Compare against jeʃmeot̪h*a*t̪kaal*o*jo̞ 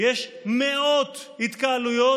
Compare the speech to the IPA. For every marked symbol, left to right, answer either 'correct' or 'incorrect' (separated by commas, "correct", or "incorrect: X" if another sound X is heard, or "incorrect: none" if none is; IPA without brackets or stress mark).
incorrect: i, incorrect: u